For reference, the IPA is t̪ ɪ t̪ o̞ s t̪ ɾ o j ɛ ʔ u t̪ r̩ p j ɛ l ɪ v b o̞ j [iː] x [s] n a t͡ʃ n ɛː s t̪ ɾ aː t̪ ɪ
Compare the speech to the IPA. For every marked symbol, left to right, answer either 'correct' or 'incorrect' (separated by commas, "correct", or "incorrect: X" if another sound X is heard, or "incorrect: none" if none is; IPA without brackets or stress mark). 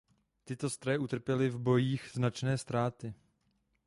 correct, incorrect: z